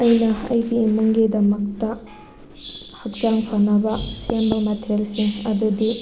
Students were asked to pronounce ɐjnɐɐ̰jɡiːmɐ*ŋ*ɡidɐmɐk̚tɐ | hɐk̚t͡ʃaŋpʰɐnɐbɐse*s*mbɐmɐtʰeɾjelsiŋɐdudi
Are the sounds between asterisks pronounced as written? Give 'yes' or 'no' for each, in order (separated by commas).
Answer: yes, no